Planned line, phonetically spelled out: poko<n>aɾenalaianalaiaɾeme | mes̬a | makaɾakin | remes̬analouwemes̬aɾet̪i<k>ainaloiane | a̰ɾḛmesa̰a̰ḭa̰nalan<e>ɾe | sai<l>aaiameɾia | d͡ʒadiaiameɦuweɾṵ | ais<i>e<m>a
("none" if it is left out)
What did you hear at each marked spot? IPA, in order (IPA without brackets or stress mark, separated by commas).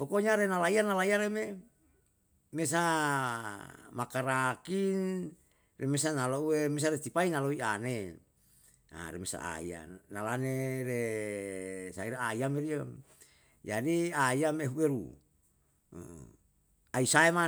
ɲ, p, e, ɾ, a, m